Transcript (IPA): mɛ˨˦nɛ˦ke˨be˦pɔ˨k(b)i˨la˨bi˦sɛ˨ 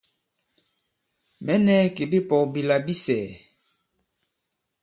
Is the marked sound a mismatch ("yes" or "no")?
no